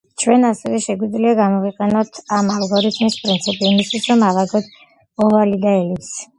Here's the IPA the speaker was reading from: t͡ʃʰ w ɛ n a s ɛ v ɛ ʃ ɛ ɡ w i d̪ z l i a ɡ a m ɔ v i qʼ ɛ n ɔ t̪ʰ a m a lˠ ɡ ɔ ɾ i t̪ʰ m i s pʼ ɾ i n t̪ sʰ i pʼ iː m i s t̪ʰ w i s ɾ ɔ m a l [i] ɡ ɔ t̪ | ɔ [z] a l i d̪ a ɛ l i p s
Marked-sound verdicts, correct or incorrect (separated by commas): incorrect, incorrect